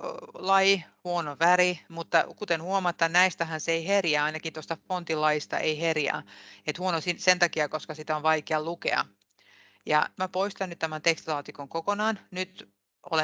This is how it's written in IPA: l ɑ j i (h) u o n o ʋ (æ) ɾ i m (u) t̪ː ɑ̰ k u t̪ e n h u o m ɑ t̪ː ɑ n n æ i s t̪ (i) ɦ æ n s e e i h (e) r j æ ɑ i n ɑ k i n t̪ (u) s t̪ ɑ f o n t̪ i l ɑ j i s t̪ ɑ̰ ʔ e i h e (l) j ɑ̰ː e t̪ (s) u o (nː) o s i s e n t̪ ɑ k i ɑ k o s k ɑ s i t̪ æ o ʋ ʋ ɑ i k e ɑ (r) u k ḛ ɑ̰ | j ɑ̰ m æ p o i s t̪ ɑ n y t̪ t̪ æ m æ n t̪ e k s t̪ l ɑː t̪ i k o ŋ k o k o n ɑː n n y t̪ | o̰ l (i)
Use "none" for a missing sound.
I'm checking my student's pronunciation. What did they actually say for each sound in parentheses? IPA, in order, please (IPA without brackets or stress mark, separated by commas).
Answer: h, æ, u, æ, e, o, r, h, n, l, e